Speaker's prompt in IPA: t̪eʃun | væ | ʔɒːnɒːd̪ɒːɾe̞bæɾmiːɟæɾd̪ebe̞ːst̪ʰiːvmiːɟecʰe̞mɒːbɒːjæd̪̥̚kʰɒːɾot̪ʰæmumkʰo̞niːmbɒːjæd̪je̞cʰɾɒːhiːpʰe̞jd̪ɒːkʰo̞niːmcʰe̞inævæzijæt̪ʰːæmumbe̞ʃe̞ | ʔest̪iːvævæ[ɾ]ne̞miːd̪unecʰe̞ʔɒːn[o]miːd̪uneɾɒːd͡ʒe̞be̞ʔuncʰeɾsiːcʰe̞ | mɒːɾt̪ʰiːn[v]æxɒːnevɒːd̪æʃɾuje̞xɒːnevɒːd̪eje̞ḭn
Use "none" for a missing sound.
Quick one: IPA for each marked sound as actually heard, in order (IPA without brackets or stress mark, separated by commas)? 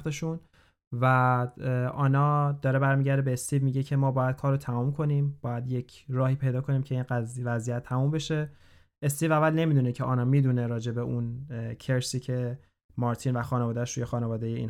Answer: l, ɒ, v